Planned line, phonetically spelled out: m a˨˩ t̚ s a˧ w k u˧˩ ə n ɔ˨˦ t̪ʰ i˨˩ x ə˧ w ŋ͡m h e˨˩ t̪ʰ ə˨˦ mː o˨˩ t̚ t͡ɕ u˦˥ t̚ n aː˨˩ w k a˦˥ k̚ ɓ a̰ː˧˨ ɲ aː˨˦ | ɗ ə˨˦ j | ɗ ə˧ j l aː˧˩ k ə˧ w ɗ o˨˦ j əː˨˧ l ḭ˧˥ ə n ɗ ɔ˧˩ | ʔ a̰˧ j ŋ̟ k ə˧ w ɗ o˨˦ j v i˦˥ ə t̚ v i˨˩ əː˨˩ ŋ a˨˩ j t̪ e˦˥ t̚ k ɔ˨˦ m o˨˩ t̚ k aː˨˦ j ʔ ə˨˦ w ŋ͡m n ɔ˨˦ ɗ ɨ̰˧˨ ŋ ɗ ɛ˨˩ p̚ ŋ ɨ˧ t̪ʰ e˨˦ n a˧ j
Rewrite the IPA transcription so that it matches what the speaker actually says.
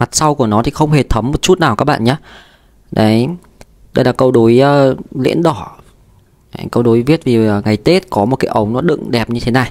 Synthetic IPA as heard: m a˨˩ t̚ s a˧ w k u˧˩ ə n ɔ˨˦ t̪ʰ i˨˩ x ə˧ w ŋ͡m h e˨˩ t̪ʰ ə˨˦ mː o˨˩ t̚ t͡ɕ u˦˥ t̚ n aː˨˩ w k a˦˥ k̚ ɓ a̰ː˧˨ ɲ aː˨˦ | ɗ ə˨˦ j | ɗ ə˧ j l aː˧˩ k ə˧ w ɗ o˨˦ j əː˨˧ l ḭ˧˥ ə n ɗ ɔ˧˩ | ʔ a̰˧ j ŋ̟ k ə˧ w ɗ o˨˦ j v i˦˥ ə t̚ v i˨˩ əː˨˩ ŋ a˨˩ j t̪ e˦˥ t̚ k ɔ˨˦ m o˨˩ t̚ k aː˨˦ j ʔ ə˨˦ w ŋ͡m n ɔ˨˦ ɗ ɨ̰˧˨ ŋ ɗ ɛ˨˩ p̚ ɲ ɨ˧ t̪ʰ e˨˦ n a˨˩ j